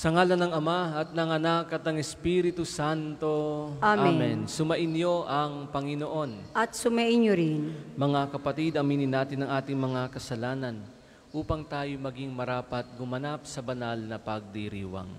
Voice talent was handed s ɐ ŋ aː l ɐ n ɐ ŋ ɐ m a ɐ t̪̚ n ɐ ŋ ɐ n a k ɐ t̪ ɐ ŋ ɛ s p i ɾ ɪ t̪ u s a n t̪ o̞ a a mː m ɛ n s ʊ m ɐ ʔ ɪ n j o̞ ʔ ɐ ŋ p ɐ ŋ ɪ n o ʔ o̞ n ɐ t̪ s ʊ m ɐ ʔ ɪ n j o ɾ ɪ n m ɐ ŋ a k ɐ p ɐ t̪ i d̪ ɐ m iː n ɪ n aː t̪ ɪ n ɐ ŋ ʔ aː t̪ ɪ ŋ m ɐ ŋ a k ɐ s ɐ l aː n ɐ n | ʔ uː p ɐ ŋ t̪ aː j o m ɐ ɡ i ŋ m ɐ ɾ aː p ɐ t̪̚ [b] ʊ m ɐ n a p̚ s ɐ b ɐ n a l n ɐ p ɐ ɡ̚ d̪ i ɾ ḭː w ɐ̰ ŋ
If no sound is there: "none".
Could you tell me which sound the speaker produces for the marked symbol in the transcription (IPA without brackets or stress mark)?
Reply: ɡ